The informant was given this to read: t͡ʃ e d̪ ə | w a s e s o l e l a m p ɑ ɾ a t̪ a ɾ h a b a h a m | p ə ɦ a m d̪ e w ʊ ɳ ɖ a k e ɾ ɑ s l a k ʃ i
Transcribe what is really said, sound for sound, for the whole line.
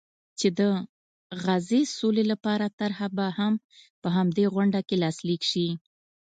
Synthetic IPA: t͡ʃ e d̪ ə | ɣ a z e s o l e l a p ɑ ɾ a t̪ a ɾ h a b a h a m | p ə ɦ a m d̪ e ɣ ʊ ɳ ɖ a k e l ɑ s l i k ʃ i